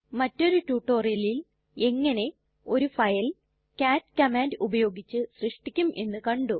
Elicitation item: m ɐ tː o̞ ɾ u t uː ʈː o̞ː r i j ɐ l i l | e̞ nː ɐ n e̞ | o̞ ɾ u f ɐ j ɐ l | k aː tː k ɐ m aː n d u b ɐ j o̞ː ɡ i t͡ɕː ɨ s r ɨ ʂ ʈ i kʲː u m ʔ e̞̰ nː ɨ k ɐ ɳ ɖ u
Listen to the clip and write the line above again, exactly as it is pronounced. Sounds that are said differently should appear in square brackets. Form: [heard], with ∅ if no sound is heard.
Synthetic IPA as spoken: m ɐ tː o̞ ɾ u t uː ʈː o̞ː r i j ɐ l i l | e̞ [ŋː] ɐ n e̞ | o̞ ɾ u f ɐ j ɐ l | k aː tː k ɐ m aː n d u b ɐ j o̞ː ɡ i t͡ɕː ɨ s r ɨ ʂ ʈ i kʲː u m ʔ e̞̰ nː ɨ k ɐ ɳ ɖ u